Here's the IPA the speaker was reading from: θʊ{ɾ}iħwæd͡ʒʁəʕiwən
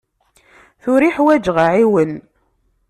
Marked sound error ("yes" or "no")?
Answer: no